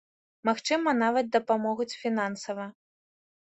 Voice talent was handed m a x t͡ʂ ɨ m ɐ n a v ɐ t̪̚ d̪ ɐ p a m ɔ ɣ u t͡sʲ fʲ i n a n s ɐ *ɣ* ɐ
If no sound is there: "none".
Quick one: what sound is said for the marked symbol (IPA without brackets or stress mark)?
v